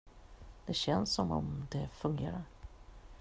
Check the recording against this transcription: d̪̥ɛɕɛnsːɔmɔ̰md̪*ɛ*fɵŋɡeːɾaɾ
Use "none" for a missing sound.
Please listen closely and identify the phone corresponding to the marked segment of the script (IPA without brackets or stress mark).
ɛ